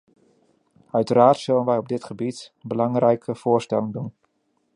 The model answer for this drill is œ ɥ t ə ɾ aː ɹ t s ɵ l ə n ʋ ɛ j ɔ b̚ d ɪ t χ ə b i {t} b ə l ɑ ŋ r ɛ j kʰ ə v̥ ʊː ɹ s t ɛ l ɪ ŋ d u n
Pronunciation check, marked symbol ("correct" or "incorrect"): correct